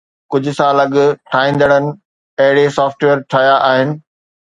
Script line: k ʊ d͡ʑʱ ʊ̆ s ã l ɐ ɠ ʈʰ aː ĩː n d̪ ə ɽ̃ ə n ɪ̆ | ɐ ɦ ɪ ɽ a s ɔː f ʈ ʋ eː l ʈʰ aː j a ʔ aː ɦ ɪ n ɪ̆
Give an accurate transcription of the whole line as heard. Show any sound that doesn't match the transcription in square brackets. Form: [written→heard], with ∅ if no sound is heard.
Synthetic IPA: k ʊ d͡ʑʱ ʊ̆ s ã l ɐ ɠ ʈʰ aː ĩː n d̪ ə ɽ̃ ə n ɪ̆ | ɐ ɦ ɪ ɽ [a→e] s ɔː f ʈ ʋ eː [l→ɾ] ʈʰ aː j a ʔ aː ɦ ɪ n ɪ̆